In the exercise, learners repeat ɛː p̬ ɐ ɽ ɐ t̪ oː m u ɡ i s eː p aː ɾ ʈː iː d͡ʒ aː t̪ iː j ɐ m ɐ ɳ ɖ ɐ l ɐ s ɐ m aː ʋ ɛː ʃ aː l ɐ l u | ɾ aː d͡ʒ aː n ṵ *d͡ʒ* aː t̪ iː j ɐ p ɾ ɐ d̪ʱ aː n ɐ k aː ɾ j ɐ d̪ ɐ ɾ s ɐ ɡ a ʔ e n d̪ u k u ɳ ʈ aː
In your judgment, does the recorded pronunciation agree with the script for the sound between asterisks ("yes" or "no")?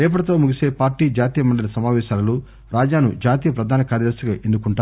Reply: yes